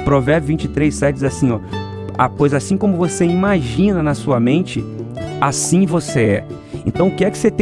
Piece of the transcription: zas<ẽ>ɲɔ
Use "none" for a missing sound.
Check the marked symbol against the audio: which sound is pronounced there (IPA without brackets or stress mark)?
ĩ